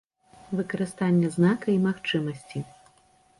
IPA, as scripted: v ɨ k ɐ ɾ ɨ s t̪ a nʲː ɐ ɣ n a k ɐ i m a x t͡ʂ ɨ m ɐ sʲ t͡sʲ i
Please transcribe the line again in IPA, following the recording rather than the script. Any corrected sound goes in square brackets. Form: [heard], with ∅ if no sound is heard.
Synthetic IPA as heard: v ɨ k ɐ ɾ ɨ s t̪ a nʲː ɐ [z] n a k ɐ i m a x t͡ʂ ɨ m ɐ sʲ t͡sʲ i